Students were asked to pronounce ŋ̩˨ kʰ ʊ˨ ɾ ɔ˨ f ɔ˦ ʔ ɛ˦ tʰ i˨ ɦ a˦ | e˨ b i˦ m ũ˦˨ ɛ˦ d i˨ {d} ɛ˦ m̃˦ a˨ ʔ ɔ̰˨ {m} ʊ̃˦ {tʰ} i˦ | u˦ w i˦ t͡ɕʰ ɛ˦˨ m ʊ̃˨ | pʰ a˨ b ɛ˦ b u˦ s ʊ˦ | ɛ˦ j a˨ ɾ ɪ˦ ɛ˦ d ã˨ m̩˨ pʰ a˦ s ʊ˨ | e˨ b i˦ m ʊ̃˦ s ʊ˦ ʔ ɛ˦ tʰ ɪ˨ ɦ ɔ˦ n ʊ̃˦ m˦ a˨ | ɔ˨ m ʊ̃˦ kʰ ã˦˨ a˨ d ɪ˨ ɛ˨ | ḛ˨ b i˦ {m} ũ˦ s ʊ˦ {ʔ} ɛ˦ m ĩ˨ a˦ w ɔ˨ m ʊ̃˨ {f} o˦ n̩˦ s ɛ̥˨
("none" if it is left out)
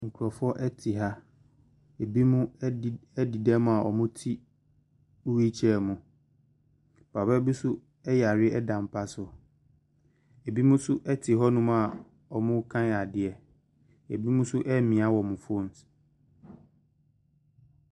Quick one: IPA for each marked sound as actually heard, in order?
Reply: d, m, tʰ, m, ʔ, f

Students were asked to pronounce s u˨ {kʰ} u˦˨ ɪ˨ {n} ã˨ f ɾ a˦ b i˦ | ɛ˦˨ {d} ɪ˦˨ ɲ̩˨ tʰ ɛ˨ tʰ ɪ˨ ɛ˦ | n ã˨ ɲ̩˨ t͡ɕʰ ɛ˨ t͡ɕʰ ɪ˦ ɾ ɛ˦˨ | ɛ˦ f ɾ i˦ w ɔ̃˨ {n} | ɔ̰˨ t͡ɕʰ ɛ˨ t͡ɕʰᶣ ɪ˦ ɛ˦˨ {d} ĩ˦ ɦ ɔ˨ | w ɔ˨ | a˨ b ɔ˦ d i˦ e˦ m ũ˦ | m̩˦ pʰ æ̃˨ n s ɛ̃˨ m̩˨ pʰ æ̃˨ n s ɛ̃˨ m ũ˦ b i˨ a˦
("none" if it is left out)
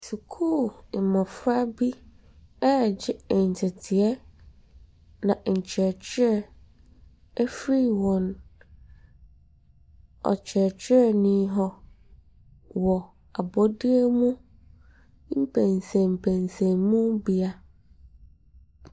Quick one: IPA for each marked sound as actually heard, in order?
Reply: kʰ, m, d͡ʑ, n, n

